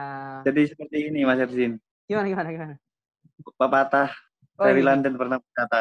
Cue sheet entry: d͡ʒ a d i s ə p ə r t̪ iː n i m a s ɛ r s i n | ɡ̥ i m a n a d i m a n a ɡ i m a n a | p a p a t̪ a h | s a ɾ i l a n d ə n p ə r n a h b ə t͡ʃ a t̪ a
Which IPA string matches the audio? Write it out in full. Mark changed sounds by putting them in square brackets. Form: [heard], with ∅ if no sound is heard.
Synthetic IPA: d͡ʒ a d i s ə p ə r t̪ iː n i m a s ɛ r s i n | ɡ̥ i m a n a [ɡ] i m a n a ɡ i m a n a | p a p a t̪ a h | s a ɾ i l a n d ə n p ə r n a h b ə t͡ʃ a t̪ a